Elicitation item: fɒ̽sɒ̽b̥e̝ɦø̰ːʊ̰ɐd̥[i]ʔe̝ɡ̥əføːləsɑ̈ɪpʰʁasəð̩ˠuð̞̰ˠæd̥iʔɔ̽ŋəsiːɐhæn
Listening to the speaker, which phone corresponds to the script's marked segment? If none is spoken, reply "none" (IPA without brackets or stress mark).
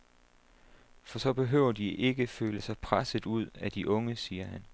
i